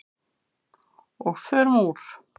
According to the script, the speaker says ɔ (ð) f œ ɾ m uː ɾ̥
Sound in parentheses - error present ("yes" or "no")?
yes